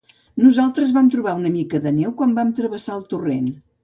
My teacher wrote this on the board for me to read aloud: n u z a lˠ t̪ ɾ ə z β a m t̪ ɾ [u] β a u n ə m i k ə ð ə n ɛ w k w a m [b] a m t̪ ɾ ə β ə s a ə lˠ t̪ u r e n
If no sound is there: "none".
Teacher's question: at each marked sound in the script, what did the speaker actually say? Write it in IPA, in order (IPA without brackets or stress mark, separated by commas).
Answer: u, b